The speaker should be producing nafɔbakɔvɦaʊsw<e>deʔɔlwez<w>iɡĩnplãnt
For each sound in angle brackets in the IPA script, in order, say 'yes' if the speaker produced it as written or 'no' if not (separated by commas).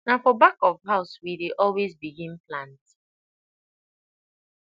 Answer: no, no